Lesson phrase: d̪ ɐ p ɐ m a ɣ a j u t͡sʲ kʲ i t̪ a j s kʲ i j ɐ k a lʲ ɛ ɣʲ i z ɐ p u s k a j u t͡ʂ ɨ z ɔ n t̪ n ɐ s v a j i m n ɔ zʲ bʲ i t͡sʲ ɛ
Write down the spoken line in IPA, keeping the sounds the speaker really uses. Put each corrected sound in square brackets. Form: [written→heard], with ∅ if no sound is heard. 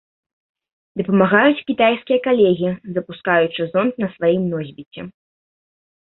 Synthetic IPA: d̪ ɐ p ɐ m a ɣ a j u t͡sʲ kʲ i t̪ a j s kʲ i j ɐ k a lʲ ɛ ɣʲ i z ɐ p u s k a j u t͡ʂ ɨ z ɔ n t̪ n ɐ s v a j i m n ɔ zʲ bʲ i t͡sʲ ɛ